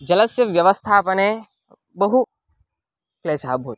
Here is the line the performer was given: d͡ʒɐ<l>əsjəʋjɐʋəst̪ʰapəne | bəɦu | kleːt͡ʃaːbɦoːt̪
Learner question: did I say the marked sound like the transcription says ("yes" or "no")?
yes